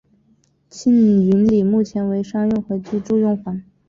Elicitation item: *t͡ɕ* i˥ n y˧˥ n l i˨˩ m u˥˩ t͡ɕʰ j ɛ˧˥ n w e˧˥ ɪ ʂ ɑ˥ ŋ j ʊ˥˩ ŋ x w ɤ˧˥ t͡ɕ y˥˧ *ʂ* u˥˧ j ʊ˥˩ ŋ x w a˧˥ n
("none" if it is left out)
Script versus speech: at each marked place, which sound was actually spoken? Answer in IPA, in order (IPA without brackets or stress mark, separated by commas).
t͡ɕʰ, ʈ͡ʂ